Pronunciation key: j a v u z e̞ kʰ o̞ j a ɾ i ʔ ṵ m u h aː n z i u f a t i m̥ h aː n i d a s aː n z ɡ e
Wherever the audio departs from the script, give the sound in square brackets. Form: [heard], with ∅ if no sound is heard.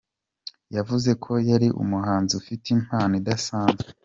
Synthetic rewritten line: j a v u z e̞ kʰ o̞ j a ɾ i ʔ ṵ m u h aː n z i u f [i] t i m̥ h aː n i d a s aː n z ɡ e